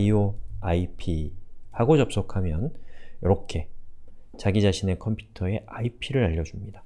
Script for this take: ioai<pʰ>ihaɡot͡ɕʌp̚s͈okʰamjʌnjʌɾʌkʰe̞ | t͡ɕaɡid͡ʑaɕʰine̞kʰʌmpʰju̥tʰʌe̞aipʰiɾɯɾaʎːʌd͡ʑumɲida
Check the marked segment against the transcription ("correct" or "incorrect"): correct